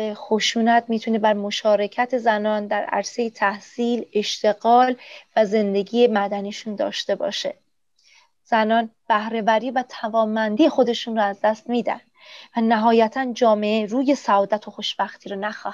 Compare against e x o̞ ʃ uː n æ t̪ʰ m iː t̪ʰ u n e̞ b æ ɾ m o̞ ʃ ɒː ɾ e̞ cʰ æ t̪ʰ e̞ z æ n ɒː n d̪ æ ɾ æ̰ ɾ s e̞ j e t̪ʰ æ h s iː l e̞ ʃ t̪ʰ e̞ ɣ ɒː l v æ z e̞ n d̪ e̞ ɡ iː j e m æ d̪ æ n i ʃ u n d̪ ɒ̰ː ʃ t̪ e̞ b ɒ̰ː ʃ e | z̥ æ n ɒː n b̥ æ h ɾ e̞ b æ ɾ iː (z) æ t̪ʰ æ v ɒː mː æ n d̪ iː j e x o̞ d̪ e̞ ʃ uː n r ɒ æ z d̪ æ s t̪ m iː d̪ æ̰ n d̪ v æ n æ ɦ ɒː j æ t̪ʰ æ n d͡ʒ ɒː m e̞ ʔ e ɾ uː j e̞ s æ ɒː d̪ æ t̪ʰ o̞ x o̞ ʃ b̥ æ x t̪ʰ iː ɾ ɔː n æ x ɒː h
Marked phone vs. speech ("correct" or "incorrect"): incorrect